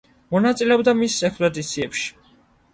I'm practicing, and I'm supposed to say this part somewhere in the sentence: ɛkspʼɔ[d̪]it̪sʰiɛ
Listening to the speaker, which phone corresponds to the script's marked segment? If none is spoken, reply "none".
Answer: d̪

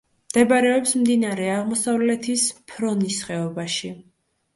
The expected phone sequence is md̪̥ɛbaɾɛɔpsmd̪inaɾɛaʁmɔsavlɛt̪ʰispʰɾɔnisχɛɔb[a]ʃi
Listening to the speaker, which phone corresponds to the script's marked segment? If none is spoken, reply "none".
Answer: a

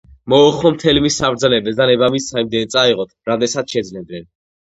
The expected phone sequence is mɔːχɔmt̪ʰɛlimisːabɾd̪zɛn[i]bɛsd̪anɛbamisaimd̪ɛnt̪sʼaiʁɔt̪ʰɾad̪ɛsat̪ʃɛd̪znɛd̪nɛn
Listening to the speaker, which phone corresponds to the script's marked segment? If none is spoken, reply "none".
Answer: ɛ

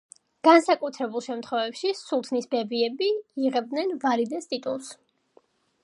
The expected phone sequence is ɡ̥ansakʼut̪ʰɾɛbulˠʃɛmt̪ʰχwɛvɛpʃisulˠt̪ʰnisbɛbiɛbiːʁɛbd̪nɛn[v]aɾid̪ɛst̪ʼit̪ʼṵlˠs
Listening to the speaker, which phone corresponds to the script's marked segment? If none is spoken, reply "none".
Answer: v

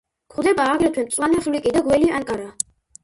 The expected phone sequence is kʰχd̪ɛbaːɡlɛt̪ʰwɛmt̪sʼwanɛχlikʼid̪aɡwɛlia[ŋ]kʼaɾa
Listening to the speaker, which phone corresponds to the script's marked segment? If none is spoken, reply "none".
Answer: ŋ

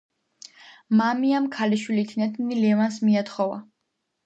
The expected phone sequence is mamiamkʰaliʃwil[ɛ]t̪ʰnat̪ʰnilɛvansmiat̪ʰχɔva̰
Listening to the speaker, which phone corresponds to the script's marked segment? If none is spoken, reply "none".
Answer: i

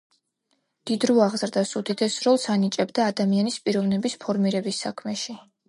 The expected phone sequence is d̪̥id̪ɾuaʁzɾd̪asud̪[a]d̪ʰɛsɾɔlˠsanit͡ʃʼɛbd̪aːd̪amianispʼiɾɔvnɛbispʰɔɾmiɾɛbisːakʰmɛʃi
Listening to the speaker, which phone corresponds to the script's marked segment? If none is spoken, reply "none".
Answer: i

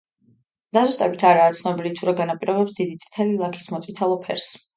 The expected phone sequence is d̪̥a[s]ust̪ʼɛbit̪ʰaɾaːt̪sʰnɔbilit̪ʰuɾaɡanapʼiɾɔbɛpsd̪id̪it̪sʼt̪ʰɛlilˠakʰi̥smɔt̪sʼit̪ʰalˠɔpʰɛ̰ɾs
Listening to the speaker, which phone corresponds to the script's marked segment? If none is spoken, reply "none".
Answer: z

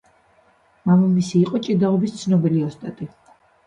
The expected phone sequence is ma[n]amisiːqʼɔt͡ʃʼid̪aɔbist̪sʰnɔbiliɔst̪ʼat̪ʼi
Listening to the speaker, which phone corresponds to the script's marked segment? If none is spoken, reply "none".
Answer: m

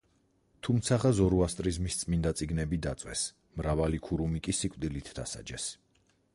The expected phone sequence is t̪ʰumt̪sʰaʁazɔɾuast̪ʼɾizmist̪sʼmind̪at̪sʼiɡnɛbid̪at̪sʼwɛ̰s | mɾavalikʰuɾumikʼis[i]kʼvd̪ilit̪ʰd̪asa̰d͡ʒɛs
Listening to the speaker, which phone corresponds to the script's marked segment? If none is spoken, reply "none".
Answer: i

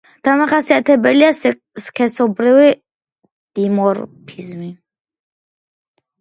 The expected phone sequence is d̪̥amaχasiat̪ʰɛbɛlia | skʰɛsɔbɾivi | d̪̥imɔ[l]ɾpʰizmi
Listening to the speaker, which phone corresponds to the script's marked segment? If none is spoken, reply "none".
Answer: none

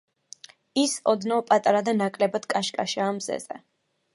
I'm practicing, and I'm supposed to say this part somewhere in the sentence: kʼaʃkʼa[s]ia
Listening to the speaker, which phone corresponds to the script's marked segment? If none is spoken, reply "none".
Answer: ʃ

